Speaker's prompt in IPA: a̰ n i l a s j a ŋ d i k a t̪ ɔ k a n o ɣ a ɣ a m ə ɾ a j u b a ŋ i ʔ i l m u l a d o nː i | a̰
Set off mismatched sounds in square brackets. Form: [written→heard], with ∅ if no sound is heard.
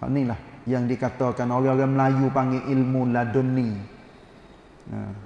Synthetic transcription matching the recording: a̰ n i l a [s→h] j a ŋ d i k a t̪ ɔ k a n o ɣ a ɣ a m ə [ɾ→l] a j u [b→p] a ŋ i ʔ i l m u l a d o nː i | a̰